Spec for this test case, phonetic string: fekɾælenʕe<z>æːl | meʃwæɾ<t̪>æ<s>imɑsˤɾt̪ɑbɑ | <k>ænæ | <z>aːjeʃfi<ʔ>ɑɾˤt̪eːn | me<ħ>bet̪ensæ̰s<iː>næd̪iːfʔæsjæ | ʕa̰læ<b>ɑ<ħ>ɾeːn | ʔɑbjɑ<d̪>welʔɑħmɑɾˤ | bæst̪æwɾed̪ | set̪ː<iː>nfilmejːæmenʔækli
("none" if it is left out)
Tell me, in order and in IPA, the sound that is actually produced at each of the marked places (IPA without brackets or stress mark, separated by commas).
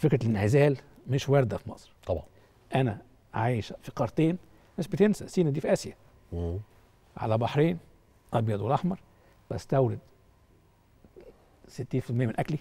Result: z, d̪, f, ʔ, ʕ, q, ʃ, iː, b, ħ, d̪, iː